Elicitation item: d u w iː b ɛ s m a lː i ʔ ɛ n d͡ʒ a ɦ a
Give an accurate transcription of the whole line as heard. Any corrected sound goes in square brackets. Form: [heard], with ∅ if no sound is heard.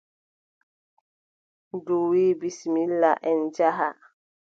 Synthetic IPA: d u w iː b [i] s m [i] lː [a] ʔ ɛ n d͡ʒ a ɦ a